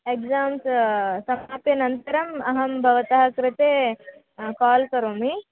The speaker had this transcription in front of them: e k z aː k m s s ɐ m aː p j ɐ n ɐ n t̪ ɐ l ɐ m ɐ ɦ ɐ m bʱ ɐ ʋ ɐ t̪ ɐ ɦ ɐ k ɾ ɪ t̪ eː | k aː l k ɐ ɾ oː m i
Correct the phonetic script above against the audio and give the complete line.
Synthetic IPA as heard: e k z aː m s s ɐ m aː p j ɐ n ɐ n t̪ ɐ ɾ ɐ m ɐ ɦ ɐ m bʱ ɐ ʋ ɐ t̪ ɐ ɦ ɐ k ɾ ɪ t̪ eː | k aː l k ɐ ɾ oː m i